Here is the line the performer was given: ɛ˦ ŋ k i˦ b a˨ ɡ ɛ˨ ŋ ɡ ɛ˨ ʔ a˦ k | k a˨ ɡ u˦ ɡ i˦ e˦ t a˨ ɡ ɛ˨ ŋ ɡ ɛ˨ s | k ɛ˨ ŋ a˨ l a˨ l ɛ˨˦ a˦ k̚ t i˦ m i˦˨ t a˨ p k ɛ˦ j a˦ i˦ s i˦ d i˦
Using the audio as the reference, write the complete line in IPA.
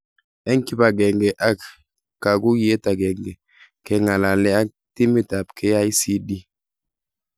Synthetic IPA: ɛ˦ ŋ k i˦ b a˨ ɡ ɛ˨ ŋ ɡ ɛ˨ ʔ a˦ k | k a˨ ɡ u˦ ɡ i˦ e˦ t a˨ ɡ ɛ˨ ŋ ɡ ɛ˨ | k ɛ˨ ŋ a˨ l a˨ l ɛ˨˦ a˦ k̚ t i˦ m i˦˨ t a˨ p k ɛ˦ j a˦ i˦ s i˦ d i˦